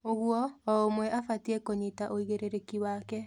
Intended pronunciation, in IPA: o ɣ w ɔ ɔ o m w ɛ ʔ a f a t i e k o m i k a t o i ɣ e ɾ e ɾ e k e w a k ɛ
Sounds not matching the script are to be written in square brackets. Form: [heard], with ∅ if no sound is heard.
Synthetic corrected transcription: o ɣ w ɔ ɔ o m w ɛ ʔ a f a t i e k o [ɲ] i [t] a [ʔ] o i ɣ e ɾ e ɾ e k [i] w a k ɛ